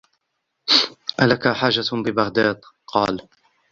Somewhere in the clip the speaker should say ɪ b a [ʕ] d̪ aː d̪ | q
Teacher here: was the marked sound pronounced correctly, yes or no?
no